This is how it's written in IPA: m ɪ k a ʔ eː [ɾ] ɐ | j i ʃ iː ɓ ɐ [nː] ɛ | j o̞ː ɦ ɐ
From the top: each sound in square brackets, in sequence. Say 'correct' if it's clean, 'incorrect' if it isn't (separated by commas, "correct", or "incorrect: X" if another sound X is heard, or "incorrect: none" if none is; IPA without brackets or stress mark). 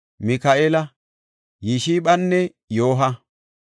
incorrect: l, correct